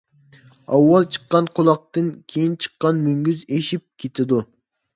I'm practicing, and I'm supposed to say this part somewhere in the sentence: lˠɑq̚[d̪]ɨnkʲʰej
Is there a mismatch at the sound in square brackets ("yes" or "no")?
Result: yes